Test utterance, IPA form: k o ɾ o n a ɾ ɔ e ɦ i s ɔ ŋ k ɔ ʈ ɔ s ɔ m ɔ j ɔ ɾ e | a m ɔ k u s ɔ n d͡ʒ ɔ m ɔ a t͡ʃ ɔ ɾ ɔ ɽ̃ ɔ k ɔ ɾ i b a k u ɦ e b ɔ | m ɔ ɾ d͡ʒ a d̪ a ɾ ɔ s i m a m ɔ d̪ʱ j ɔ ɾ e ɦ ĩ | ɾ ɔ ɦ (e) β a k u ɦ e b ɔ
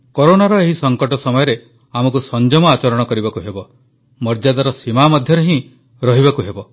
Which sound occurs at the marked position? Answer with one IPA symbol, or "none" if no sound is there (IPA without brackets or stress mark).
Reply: i